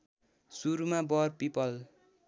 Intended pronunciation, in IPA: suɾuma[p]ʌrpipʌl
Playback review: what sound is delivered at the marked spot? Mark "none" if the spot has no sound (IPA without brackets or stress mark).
b